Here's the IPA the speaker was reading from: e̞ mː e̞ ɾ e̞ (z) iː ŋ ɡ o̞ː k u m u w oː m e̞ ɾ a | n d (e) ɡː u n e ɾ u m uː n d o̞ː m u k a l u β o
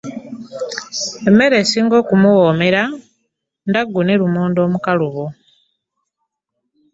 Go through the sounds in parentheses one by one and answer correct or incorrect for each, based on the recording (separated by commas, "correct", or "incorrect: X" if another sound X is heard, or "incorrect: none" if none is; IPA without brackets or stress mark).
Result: incorrect: s, incorrect: a